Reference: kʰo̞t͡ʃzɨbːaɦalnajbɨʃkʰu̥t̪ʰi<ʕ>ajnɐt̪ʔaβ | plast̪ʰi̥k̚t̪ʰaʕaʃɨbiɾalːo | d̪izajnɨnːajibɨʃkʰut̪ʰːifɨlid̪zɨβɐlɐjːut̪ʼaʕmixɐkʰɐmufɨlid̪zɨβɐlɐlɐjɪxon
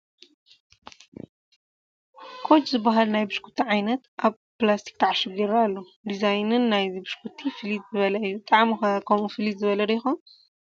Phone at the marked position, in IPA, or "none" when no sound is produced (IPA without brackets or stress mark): ʕ